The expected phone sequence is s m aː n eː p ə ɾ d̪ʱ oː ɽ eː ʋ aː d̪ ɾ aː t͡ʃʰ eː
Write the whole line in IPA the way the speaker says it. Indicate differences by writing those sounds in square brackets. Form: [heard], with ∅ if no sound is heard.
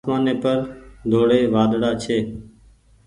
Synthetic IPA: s m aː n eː p ə ɾ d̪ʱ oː ɽ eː ʋ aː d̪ [ɽ] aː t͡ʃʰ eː